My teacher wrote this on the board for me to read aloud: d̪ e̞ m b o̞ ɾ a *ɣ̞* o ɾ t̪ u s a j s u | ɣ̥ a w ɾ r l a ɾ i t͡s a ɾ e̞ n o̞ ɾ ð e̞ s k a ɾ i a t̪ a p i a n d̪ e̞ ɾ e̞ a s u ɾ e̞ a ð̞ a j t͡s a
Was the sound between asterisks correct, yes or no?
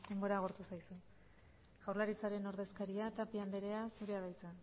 yes